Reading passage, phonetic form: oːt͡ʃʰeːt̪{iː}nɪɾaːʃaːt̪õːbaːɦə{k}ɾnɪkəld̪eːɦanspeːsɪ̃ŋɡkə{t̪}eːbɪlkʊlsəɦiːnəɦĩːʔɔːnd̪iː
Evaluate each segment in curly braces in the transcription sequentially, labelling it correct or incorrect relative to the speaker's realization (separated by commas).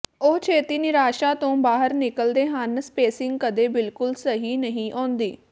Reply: correct, incorrect, incorrect